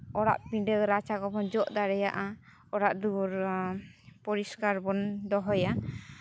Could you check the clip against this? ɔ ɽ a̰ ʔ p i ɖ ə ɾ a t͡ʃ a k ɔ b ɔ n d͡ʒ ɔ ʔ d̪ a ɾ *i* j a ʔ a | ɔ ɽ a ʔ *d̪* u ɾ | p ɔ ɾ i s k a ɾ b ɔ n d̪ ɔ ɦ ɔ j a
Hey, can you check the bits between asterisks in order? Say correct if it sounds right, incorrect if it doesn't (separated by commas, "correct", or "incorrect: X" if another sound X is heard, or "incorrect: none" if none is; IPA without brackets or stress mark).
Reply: incorrect: ɛ, correct